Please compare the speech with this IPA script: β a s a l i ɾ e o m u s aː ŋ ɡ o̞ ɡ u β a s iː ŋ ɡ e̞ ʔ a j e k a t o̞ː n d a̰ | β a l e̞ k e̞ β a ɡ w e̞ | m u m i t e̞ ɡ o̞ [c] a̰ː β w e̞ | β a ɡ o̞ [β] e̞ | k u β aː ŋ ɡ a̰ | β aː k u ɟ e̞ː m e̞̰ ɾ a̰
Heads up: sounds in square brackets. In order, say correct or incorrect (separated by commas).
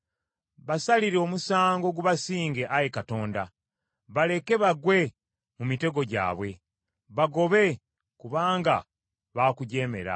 incorrect, correct